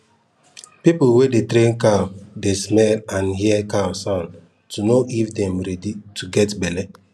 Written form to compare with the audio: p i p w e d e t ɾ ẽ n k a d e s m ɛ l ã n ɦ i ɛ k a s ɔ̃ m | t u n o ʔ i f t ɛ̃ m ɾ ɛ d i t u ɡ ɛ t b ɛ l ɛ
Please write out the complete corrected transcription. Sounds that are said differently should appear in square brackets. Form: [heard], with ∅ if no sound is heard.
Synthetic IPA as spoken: p i p w e d e t ɾ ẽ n k a d e s m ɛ l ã n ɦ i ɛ k a s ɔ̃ [n] | t u n o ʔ i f [d] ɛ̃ m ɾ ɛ d i t u ɡ ɛ t b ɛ l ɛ